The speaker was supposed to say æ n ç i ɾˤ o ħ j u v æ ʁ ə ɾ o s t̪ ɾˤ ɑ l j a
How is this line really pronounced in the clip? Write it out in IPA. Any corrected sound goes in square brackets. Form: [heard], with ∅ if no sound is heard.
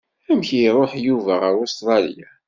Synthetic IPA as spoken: æ [m] ç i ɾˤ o ħ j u v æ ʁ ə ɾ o s t̪ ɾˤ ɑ l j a